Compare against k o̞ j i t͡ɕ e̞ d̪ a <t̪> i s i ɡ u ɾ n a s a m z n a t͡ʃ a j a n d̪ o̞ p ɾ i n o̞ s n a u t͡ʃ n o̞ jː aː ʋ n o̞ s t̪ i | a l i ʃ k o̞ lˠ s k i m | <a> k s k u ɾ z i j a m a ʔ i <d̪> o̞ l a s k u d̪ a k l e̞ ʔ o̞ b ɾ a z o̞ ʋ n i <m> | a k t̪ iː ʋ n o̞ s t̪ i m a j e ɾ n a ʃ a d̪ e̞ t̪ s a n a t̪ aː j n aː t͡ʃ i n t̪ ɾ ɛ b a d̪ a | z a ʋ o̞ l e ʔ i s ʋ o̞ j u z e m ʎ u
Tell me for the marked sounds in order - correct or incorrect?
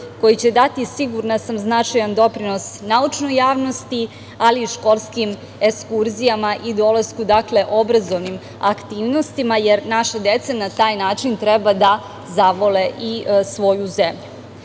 correct, incorrect: e, correct, correct

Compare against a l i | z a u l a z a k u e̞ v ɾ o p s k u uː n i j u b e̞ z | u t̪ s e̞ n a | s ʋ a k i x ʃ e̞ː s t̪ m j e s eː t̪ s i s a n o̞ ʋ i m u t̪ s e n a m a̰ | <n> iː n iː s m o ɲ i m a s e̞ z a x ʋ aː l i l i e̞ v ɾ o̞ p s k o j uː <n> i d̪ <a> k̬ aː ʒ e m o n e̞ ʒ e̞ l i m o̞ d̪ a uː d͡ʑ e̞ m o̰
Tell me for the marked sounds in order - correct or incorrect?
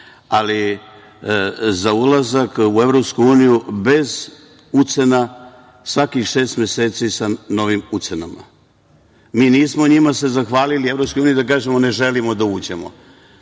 incorrect: m, correct, correct

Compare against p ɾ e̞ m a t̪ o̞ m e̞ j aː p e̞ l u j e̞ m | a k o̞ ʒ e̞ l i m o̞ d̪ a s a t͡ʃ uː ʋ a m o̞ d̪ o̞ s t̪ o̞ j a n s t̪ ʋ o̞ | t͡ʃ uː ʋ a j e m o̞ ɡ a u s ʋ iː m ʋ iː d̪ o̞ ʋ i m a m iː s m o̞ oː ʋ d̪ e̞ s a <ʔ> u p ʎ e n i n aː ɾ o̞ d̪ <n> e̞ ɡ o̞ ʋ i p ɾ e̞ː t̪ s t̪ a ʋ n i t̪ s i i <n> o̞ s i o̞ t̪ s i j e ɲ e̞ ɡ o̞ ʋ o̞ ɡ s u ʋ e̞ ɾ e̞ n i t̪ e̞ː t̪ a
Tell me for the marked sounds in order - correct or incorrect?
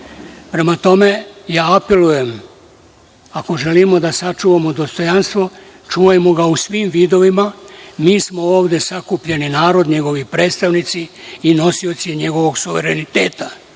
incorrect: k, incorrect: ɲ, correct

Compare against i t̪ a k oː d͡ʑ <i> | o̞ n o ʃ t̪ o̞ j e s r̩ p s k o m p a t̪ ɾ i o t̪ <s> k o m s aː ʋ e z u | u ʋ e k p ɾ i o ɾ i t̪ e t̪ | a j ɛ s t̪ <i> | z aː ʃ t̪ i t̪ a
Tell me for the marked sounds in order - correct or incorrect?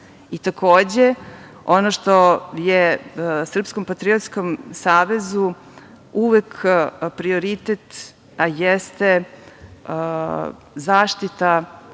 incorrect: e, correct, incorrect: e

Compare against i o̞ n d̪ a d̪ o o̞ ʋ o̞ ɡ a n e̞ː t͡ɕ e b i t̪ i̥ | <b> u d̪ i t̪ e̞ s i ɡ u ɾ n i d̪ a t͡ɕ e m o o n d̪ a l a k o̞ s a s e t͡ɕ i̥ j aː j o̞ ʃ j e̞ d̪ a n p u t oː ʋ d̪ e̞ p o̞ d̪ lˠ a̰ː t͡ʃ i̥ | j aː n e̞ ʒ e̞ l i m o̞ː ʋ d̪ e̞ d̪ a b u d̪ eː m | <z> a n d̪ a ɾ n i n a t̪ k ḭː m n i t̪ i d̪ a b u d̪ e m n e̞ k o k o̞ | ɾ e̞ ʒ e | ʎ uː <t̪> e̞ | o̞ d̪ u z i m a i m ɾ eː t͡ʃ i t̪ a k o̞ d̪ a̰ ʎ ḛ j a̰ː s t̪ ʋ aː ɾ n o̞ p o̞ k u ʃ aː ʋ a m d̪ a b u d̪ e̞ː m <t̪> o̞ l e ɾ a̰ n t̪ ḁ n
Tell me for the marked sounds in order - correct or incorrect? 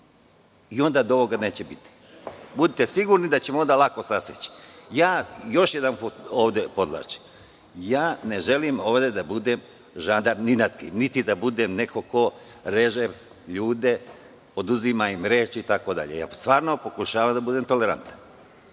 correct, incorrect: ʒ, incorrect: d̪, correct

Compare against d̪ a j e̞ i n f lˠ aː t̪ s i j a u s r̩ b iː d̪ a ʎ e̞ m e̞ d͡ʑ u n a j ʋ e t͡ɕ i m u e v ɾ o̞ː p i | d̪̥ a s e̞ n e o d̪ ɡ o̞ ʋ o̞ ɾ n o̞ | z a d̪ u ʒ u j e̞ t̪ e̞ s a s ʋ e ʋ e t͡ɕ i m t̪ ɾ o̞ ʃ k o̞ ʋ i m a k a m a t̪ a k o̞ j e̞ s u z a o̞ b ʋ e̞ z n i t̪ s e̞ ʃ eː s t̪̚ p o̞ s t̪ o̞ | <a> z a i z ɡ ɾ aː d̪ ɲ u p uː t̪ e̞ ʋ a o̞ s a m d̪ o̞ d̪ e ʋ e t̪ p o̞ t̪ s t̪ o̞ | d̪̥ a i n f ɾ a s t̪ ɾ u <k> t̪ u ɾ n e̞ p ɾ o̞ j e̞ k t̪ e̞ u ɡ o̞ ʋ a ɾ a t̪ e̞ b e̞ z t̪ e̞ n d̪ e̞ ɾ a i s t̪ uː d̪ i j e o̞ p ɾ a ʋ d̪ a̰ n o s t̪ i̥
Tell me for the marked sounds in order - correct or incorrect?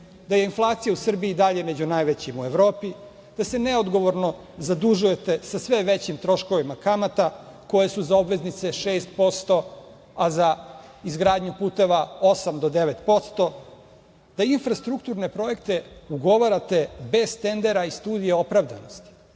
correct, correct

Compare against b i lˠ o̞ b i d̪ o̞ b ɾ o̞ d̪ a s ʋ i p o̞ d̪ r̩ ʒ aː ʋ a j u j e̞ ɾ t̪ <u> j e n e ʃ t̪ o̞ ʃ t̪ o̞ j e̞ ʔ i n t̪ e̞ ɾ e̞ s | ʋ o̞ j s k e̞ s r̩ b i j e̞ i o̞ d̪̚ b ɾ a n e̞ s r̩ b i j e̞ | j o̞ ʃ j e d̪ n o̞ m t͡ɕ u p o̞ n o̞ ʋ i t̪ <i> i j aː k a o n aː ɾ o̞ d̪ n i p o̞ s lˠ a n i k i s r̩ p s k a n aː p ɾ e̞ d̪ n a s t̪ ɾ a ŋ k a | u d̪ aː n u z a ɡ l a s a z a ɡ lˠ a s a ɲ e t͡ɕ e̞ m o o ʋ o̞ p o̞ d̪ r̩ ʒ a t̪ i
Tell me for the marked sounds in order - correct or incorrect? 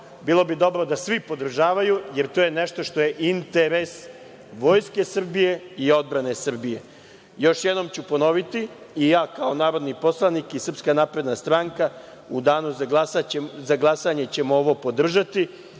incorrect: o, correct

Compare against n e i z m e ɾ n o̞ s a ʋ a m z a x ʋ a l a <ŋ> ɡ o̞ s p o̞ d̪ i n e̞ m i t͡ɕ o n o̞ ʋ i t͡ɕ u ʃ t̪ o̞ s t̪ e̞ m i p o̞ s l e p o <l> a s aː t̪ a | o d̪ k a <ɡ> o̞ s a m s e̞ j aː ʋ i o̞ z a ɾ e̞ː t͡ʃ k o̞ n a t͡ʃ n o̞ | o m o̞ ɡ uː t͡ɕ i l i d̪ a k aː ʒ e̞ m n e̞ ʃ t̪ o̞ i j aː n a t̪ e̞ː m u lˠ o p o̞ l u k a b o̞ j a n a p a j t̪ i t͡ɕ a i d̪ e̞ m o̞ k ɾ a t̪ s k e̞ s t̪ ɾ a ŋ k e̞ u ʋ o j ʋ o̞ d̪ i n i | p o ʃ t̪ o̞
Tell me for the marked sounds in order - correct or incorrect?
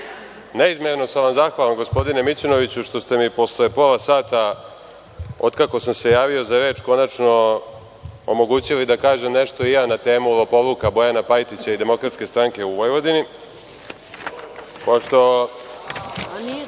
incorrect: m, correct, incorrect: k

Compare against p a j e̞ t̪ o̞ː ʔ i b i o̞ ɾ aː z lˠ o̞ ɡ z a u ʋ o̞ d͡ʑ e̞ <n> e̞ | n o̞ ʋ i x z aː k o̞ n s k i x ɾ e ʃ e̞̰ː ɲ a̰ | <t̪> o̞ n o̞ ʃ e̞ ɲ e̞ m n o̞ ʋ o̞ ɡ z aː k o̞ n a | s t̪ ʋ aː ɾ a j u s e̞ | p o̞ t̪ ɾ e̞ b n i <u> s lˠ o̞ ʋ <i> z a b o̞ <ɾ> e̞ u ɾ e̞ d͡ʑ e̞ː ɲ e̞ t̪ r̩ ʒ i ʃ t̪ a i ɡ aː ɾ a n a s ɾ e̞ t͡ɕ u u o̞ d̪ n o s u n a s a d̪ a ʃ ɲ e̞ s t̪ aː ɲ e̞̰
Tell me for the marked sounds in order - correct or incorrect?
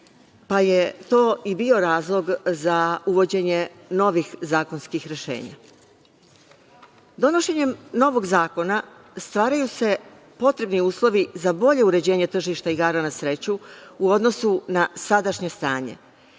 incorrect: ɲ, incorrect: d̪, incorrect: uː, correct, incorrect: ʎ

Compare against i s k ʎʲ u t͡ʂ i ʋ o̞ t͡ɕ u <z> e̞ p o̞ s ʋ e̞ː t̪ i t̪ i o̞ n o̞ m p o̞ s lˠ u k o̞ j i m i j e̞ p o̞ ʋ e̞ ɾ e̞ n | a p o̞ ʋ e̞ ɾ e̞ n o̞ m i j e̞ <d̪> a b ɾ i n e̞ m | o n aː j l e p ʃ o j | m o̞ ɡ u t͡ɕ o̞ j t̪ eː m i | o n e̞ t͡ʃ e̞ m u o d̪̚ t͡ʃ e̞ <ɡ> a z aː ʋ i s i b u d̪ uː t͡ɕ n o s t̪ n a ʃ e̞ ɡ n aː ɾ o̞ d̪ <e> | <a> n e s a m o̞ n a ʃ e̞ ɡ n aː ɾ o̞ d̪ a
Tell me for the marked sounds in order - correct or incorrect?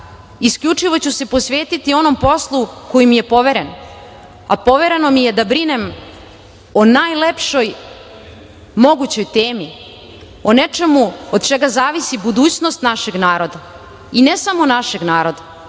incorrect: s, correct, correct, incorrect: a, incorrect: i

